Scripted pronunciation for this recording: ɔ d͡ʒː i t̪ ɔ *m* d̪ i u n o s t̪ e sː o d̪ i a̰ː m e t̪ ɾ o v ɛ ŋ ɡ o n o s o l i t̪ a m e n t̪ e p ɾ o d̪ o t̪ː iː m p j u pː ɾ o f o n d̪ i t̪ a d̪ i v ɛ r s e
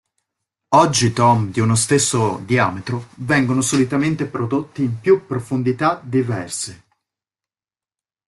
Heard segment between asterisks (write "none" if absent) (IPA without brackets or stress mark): m